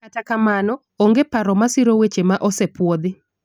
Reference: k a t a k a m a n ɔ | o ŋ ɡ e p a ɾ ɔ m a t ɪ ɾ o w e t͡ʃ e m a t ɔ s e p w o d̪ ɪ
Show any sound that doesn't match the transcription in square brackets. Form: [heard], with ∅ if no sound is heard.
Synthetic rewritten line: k a t a k a m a n ɔ | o ŋ ɡ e p a ɾ ɔ m a [s] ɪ ɾ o w e t͡ʃ e m a [ʔ] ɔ s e p w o d̪ ɪ

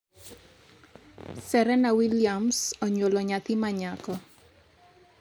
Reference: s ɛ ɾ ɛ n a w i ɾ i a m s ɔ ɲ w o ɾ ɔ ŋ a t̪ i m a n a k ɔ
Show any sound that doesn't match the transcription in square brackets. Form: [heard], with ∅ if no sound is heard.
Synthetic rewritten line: s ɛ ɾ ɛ n a w i [l] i a m s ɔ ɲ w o [l] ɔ [ɲ] a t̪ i m a [ɲ] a k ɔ

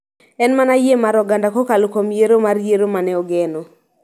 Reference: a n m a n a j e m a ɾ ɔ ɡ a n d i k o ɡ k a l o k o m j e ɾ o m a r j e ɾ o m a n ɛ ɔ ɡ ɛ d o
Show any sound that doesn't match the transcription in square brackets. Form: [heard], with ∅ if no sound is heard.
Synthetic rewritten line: [ɛ] n m a n a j e m a ɾ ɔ ɡ a n d [a] k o [∅] k a l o k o m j e ɾ o m a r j e ɾ o m a n ɛ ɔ ɡ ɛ [n] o

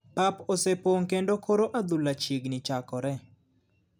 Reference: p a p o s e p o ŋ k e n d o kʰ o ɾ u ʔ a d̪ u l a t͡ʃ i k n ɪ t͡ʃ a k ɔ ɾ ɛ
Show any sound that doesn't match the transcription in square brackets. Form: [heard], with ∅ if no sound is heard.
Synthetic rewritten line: p a p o s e p o ŋ k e n d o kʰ o ɾ [o] ʔ a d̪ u l a t͡ʃ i [ɡ] n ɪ t͡ʃ a k ɔ ɾ ɛ

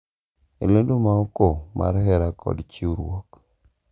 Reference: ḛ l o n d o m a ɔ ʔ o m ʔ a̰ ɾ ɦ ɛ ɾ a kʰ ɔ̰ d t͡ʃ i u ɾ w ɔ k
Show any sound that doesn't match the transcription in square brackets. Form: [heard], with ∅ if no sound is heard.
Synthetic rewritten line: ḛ l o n d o m a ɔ [k] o m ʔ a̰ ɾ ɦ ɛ ɾ a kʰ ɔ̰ d t͡ʃ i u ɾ w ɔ k

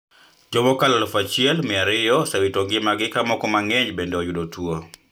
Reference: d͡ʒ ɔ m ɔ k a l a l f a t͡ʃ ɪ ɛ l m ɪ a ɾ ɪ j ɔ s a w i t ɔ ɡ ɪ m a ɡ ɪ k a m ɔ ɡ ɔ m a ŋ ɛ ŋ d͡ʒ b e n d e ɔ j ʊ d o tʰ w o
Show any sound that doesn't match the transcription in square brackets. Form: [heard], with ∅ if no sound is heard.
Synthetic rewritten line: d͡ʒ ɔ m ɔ k a l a l f a t͡ʃ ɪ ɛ l m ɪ a ɾ ɪ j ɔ s a w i t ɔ ɡ ɪ m a ɡ ɪ k a m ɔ [k] ɔ m a ŋ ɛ [ɲ] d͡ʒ b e n d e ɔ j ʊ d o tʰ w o

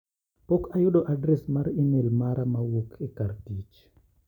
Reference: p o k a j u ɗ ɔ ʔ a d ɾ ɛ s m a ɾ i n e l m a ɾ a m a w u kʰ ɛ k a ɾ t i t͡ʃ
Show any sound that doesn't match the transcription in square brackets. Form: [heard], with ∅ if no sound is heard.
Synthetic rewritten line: p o k a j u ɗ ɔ ʔ a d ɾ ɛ s m a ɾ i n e l m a ɾ a m a w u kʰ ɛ k a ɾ t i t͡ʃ

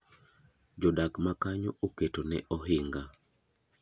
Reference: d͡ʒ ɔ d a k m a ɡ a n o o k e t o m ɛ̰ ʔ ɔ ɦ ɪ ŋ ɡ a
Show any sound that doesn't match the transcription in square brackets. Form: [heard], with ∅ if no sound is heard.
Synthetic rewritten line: d͡ʒ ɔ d a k m a [k] a [ɲ] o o k e t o [n] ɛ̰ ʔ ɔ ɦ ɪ ŋ ɡ a

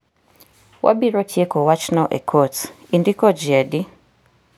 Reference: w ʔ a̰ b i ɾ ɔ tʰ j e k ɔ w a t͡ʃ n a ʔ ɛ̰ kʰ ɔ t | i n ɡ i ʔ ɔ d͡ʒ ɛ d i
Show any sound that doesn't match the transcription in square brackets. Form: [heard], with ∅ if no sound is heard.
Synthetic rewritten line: w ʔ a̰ b i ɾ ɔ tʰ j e k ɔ w a t͡ʃ n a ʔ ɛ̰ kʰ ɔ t | i n [d] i [k] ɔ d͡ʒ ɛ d i

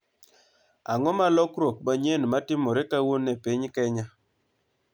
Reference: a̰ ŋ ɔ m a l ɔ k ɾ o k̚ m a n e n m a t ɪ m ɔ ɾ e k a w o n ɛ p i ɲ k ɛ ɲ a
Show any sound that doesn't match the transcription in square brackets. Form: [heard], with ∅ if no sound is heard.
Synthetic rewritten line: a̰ ŋ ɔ m a l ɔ k ɾ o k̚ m a [ɲ] e n m a t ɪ m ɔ ɾ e k a w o n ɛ p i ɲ k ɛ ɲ a

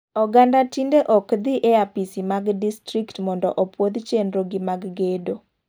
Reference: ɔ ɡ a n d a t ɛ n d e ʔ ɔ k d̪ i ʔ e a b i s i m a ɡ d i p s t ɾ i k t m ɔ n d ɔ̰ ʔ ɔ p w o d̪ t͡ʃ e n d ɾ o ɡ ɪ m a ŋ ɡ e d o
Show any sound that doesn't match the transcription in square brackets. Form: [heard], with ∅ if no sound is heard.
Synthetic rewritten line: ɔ ɡ a n d a t [i] n d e ʔ ɔ k d̪ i ʔ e a [p] i s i m a ɡ d i [∅] s t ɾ i k t m ɔ n d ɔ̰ ʔ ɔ p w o d̪ t͡ʃ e n d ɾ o ɡ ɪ m a [ɡ] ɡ e d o

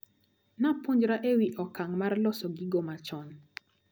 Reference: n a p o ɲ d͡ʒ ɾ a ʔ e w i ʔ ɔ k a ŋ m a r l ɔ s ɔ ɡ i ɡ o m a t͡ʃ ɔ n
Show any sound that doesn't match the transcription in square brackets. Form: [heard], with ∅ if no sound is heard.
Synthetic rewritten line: n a p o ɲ d͡ʒ ɾ a ʔ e w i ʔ ɔ k a ŋ m a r l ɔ s ɔ ɡ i ɡ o m a t͡ʃ ɔ n

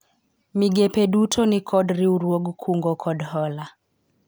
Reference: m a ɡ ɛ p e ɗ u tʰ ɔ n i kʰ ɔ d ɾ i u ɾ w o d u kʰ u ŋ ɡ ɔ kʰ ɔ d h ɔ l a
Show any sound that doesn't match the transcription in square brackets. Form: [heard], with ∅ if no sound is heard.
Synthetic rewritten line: m [i] ɡ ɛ p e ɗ u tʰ ɔ n i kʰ ɔ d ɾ i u ɾ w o [ɡ] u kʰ u ŋ ɡ ɔ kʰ ɔ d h ɔ l a

